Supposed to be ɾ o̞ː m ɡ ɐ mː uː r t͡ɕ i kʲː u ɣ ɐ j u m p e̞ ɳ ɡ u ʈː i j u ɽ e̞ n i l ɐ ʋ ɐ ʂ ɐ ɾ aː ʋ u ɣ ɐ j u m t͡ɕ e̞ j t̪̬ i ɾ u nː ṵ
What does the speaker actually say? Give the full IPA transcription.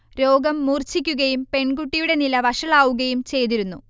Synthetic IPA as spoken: ɾ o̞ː ɡ ɐ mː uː r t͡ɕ i kʲː u ɣ ɐ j u m p e̞ ɳ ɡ u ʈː i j u ɽ e̞ n i l ɐ ʋ ɐ ʂ ɐ ɭ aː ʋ u ɣ ɐ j u m t͡ɕ e̞ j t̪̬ i ɾ u nː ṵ